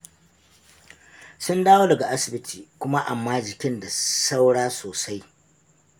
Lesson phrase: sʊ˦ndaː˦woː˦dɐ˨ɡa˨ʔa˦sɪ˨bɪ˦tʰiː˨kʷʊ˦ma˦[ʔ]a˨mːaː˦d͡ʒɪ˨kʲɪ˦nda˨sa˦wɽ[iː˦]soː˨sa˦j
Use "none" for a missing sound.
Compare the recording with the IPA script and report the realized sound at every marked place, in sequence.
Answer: ʔ, aː˦

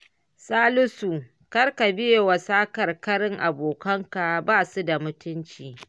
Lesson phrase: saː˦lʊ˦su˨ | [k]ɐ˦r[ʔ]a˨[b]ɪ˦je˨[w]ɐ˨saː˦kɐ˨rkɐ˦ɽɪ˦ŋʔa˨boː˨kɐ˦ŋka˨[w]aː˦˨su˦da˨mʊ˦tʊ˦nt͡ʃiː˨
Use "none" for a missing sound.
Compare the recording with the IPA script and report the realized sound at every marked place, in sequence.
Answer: k, k, b, w, b

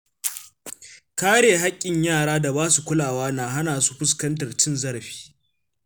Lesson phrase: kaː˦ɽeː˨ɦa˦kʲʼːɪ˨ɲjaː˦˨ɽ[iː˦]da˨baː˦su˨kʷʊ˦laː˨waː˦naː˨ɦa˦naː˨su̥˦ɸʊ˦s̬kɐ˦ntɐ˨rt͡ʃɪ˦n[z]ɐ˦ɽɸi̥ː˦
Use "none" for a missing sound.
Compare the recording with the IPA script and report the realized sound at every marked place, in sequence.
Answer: aː˦, z

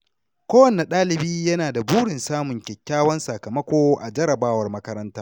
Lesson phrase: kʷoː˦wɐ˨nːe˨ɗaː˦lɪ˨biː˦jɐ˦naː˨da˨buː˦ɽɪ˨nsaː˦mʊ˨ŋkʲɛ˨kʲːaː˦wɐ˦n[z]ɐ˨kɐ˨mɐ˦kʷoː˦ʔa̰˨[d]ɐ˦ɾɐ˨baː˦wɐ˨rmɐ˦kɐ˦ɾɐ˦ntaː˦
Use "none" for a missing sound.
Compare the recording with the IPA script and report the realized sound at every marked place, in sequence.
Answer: s, d͡ʒ

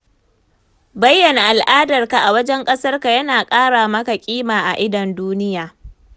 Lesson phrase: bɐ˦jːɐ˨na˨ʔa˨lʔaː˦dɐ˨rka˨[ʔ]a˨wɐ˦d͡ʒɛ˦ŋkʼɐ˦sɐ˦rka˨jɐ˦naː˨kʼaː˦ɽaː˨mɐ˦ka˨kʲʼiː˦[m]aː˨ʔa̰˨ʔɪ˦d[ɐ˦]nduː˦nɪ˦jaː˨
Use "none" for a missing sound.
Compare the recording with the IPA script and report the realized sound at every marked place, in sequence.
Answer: ʔ, m, ɐ˨

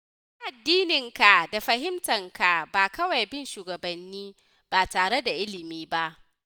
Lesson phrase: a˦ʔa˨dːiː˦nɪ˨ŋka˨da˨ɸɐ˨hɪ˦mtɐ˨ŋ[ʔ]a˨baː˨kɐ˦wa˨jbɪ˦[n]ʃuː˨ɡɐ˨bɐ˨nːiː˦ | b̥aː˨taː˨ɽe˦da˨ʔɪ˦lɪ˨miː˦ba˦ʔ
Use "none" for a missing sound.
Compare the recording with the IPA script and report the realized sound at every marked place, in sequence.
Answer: k, n

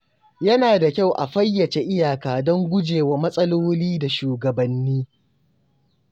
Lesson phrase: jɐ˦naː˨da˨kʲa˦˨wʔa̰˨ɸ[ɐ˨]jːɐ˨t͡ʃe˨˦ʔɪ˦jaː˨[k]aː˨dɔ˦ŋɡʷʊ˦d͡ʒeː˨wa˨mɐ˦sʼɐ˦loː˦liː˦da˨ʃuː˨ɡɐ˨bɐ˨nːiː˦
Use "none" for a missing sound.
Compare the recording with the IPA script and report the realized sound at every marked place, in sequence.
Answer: ɐ˦, k

